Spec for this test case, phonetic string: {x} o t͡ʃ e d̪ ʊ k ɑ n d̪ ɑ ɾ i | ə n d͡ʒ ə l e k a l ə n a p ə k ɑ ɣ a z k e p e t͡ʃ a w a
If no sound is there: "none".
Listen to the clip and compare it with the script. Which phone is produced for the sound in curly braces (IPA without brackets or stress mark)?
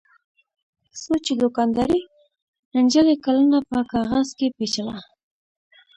s